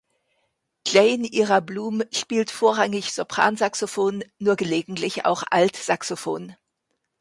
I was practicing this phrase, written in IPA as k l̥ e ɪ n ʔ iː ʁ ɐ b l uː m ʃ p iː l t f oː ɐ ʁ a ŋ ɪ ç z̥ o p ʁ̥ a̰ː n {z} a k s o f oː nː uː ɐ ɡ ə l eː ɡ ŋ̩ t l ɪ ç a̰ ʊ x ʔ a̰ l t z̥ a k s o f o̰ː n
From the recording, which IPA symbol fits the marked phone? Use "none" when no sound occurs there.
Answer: z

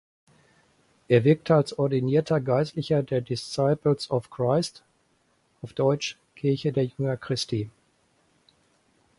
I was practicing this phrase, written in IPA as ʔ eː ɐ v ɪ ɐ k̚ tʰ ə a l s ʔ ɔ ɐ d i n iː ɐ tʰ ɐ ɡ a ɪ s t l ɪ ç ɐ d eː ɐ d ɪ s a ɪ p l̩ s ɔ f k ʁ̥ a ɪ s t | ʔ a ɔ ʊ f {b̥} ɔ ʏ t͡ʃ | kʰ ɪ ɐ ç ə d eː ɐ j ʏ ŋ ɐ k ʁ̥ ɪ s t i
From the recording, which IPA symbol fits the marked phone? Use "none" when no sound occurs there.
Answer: d̥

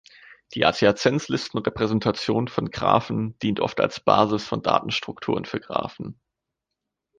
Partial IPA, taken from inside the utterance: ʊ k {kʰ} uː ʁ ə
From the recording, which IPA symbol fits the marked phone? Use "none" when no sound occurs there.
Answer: tʰ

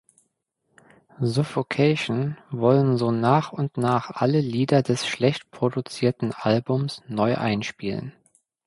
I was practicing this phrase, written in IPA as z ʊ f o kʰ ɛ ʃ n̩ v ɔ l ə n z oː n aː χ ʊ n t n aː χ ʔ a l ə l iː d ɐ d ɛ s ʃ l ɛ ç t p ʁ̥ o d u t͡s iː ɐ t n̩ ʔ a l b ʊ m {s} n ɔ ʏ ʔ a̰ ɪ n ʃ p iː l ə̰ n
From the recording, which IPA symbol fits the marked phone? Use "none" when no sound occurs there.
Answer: s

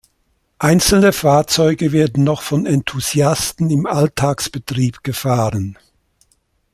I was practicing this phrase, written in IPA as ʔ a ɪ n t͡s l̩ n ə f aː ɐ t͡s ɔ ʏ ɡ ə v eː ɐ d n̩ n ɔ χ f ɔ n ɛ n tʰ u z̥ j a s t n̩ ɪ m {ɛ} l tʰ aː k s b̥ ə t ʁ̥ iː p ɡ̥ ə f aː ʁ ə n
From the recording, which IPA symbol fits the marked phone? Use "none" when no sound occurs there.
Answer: a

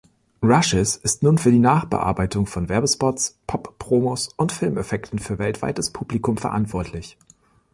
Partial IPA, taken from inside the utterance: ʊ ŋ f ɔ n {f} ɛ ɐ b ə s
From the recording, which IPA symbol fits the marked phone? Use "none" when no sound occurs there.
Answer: v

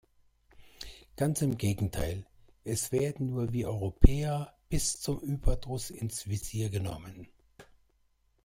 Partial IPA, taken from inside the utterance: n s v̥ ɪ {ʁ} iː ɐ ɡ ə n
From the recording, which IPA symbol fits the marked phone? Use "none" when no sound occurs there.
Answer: z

